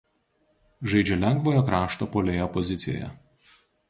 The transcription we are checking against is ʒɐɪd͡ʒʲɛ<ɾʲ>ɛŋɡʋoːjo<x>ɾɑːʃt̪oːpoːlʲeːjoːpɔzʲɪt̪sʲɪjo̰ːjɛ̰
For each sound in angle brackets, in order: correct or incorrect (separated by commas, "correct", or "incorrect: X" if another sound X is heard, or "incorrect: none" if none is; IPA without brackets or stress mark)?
incorrect: lʲ, incorrect: k